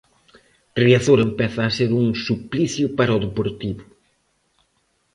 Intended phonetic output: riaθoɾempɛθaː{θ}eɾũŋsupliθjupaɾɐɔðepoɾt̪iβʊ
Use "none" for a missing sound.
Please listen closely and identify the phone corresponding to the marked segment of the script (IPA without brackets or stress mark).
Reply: s